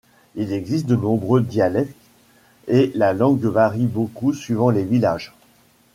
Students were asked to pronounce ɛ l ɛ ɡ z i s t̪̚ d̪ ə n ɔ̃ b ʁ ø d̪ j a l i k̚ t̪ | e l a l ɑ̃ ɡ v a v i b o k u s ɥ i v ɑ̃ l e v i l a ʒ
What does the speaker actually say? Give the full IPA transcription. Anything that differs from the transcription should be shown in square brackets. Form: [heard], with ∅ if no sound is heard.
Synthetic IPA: [i] l ɛ ɡ z i s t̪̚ d̪ ə n ɔ̃ b ʁ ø d̪ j a l [ɛ] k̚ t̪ | e l a l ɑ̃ ɡ v a [ʁ] i b o k u s ɥ i v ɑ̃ l e v i l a ʒ